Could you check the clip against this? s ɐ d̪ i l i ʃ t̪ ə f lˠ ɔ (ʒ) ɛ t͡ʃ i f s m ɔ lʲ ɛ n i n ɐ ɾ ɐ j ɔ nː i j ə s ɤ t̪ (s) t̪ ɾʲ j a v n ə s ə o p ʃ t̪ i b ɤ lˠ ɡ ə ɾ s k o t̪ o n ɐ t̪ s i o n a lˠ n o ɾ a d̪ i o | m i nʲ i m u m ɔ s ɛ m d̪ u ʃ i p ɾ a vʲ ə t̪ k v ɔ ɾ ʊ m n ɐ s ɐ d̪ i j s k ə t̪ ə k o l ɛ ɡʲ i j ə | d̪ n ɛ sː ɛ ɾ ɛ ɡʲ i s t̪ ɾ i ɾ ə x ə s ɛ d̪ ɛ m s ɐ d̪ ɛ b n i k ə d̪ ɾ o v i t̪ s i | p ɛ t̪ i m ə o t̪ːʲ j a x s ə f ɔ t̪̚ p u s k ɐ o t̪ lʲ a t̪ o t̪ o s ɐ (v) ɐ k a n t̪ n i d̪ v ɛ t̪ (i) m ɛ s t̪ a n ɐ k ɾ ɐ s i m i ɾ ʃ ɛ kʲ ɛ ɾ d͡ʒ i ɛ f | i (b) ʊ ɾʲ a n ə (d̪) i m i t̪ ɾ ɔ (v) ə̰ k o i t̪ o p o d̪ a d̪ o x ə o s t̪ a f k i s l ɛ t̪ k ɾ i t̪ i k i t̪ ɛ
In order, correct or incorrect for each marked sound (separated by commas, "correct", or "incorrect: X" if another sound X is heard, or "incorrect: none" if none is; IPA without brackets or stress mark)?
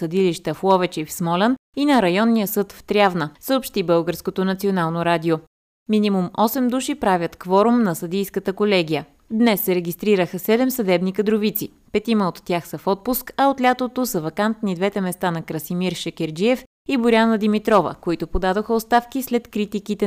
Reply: incorrect: v, incorrect: f, correct, incorrect: ɛ, correct, correct, correct